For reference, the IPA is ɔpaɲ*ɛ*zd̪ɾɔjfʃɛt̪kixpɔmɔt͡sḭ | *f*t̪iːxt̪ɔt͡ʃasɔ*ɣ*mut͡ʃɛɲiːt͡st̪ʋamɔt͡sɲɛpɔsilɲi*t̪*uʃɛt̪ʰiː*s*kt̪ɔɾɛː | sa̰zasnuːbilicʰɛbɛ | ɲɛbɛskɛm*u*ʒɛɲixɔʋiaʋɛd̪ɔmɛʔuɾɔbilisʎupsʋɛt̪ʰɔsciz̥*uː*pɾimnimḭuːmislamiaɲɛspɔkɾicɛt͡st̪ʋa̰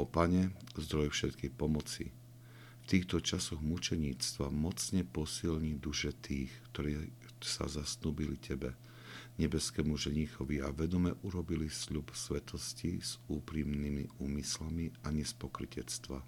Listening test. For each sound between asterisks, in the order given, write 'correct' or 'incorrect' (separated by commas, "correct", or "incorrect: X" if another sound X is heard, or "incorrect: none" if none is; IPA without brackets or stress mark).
correct, correct, correct, incorrect: d̪, incorrect: x, correct, correct